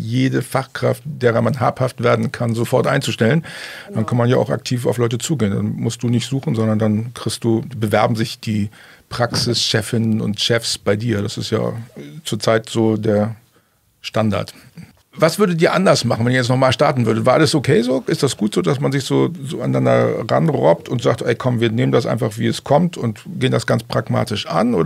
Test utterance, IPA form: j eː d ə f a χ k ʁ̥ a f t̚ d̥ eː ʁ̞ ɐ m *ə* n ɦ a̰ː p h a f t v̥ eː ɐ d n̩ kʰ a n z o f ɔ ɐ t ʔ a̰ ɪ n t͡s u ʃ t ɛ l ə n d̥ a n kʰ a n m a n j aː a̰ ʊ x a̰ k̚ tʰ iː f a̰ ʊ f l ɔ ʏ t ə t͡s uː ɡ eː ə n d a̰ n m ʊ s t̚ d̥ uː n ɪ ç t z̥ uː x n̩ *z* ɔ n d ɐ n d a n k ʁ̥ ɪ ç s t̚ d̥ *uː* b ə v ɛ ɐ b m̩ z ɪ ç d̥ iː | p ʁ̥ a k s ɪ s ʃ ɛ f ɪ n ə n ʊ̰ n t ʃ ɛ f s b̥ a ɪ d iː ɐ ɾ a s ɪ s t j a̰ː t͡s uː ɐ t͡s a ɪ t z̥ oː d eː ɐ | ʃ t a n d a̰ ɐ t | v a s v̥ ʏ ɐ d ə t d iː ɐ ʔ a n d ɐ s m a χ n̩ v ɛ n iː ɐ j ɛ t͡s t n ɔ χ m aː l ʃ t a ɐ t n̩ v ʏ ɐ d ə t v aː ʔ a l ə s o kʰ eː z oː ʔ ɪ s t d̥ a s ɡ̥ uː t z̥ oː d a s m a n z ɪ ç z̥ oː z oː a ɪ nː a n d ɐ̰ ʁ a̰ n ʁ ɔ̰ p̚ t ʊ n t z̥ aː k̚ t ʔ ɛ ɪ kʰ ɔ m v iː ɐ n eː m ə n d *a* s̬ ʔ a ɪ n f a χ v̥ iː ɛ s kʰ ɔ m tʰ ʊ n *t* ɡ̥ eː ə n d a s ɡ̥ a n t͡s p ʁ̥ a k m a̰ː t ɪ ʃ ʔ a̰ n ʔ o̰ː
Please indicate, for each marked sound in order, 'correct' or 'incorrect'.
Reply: incorrect: a, correct, correct, correct, correct

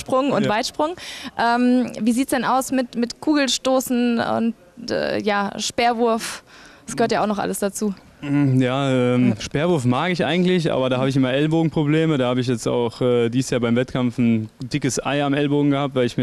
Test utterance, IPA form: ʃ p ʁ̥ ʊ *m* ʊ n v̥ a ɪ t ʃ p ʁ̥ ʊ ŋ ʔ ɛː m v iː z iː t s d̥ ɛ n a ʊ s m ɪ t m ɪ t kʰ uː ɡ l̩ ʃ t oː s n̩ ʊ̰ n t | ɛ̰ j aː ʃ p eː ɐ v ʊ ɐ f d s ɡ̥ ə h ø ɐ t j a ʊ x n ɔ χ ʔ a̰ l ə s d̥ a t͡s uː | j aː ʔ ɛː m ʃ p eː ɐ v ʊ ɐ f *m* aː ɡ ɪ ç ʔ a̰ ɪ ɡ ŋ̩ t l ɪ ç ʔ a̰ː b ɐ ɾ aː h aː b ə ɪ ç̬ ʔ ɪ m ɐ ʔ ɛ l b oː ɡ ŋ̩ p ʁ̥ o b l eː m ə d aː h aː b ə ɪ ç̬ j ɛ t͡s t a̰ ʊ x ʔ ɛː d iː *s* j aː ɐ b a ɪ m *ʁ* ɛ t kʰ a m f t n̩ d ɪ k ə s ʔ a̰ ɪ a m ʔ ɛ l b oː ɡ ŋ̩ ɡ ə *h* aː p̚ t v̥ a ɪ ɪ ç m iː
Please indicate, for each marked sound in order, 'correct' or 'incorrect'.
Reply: incorrect: ŋ, correct, correct, incorrect: v, correct

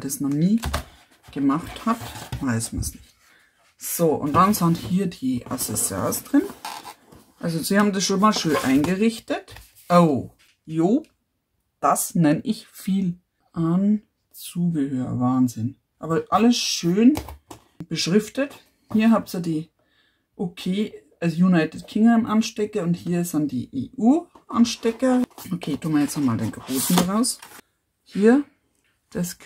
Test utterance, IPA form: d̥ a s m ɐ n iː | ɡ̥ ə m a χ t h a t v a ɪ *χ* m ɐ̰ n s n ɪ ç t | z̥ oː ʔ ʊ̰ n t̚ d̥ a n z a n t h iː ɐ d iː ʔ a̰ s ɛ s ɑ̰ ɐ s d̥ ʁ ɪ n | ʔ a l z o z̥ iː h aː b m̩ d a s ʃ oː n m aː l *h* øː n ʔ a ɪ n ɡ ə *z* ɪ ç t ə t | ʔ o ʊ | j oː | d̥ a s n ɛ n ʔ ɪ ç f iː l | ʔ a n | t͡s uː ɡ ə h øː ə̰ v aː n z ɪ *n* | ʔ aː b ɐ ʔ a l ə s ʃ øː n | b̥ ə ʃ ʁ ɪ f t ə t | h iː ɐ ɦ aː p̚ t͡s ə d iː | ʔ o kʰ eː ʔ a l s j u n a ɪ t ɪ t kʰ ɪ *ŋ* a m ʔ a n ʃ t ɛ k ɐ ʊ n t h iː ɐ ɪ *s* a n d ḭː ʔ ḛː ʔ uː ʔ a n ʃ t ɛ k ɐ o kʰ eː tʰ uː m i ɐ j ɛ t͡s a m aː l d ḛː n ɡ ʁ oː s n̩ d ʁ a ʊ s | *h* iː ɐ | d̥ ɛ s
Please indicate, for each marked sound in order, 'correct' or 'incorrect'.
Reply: incorrect: s, incorrect: ʃ, incorrect: ʁ, correct, correct, correct, correct

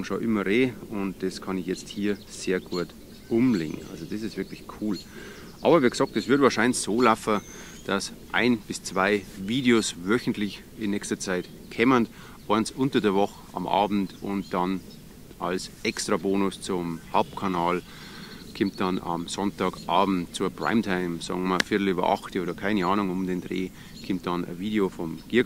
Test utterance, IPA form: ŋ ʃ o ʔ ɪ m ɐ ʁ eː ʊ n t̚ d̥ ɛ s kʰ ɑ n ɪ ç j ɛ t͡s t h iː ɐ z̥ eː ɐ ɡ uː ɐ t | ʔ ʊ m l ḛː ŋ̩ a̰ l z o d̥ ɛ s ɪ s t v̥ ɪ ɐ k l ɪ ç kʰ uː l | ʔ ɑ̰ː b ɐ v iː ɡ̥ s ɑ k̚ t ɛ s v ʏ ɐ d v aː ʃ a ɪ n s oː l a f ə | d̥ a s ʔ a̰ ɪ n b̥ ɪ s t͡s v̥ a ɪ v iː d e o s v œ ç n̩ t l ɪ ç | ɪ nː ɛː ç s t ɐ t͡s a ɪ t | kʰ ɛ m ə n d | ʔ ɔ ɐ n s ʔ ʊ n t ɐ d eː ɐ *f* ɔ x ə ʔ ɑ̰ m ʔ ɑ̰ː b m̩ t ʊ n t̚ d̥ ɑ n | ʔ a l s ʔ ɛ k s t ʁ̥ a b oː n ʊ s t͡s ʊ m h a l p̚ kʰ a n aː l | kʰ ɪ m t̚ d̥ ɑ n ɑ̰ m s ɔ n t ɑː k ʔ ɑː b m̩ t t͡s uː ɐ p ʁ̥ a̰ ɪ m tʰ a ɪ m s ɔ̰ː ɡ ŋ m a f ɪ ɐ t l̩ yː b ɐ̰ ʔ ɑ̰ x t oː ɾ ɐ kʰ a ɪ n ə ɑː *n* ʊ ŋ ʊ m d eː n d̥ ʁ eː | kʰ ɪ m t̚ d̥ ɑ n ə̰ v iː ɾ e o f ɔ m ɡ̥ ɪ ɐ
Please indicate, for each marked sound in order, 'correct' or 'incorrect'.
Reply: incorrect: v, correct

